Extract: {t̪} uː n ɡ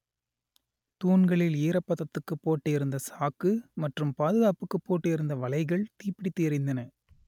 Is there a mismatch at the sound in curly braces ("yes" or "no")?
no